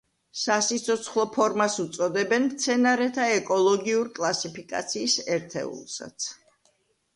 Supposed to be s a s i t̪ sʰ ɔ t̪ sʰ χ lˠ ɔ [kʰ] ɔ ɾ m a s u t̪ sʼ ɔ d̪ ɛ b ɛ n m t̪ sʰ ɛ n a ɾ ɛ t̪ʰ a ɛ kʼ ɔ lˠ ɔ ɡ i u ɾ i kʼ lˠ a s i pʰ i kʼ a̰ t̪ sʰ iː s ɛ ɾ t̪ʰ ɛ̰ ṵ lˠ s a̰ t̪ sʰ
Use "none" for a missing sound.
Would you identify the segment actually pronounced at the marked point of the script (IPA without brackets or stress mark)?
pʰ